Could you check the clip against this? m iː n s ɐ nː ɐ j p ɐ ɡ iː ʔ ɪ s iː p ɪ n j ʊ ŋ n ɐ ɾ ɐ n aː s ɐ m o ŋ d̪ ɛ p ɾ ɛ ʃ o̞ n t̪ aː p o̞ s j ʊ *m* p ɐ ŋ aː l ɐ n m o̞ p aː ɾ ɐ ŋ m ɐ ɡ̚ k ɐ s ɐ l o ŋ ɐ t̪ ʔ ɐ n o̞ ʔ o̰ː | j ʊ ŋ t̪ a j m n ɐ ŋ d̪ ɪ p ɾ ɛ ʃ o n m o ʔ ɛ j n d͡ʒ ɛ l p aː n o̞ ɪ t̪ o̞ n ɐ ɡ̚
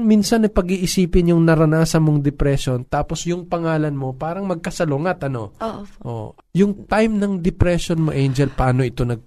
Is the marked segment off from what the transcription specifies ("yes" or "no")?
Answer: yes